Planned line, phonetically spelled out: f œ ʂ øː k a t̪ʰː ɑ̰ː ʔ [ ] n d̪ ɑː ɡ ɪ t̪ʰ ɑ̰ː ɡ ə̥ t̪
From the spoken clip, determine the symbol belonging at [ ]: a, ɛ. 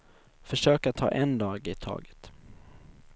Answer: ɛ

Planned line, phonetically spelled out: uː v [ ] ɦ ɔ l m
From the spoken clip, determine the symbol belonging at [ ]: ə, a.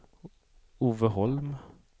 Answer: ə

